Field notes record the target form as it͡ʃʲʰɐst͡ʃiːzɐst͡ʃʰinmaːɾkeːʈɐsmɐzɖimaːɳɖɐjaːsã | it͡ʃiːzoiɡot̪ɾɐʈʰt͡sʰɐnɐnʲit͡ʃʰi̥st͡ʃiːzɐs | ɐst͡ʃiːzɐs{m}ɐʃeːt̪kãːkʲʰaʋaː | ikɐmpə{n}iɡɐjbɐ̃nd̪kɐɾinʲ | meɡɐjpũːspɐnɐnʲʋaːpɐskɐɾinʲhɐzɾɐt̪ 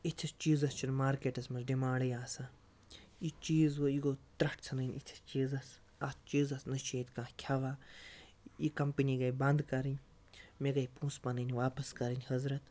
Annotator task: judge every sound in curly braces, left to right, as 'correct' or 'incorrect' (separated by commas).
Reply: incorrect, correct